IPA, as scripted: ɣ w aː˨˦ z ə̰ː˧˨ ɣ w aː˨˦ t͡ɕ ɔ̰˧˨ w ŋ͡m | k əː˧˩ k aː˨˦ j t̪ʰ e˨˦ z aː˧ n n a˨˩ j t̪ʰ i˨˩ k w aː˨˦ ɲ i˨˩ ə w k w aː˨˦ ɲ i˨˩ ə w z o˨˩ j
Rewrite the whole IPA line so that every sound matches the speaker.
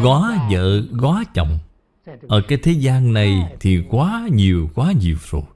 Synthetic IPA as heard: ɣ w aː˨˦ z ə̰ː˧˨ ɣ w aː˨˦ t͡ɕ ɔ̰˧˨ w ŋ͡m | ʔ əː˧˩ k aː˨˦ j t̪ʰ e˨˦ z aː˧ n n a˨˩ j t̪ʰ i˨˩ k w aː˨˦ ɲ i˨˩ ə w k w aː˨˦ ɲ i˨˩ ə w z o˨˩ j